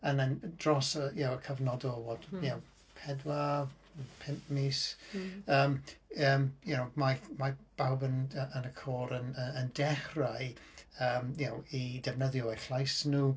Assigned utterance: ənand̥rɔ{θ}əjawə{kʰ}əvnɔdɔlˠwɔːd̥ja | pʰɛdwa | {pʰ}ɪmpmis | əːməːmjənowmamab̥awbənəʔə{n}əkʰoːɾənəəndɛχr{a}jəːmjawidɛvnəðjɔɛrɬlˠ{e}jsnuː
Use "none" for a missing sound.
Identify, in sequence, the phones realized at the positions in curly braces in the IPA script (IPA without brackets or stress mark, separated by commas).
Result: s, kʰ, pʰ, n, a, a